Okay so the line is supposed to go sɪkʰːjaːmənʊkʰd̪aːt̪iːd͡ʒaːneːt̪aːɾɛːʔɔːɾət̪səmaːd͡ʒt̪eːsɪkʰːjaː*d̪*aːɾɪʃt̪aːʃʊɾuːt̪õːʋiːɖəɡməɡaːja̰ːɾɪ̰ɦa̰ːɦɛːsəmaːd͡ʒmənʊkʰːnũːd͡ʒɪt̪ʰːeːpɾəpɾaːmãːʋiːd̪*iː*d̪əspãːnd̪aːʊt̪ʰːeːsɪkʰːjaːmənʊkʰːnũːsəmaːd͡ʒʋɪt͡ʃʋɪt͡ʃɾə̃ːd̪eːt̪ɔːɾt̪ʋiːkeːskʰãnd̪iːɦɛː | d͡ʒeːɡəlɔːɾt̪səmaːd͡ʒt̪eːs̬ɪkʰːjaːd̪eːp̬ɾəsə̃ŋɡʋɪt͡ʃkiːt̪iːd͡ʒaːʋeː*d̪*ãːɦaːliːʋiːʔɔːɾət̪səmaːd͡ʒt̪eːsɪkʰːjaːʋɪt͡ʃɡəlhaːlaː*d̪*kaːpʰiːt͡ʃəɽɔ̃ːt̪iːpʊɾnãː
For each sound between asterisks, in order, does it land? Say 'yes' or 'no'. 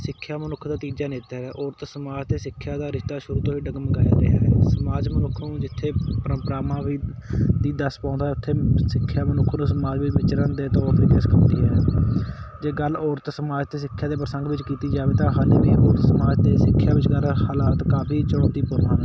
yes, yes, no, no

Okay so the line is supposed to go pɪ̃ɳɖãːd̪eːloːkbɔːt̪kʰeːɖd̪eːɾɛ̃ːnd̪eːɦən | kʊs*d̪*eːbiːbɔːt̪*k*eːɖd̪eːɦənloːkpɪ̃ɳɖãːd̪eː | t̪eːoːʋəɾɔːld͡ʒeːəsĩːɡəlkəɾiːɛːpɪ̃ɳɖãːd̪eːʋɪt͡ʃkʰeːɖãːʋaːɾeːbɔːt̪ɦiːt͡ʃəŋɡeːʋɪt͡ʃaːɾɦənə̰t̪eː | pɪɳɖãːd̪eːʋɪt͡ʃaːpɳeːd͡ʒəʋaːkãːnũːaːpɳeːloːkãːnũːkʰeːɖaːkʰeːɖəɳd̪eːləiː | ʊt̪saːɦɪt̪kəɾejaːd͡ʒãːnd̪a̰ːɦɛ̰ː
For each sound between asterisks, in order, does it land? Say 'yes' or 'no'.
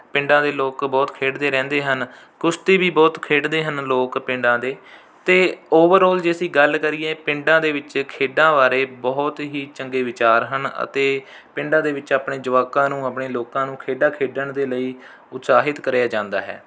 no, no

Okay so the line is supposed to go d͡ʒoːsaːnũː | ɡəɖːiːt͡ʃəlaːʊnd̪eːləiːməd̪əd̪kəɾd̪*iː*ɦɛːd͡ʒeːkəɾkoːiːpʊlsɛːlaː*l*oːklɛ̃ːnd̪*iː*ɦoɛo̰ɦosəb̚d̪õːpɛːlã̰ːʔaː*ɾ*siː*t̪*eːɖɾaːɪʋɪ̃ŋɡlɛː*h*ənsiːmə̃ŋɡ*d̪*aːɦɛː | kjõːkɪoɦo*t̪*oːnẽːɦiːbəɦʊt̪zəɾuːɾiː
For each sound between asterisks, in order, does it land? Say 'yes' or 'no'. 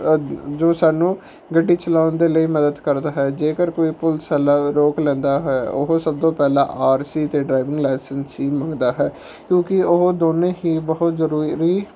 no, no, no, yes, yes, no, yes, no

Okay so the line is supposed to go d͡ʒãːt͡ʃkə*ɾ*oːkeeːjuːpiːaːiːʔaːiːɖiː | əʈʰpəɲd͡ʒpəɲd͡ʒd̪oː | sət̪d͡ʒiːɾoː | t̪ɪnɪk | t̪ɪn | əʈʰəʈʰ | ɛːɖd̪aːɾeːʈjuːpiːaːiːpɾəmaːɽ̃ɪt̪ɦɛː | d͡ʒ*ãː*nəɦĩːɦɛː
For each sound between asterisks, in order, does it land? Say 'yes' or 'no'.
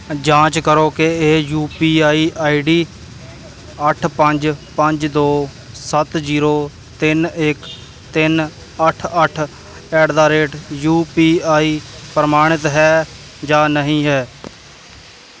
yes, no

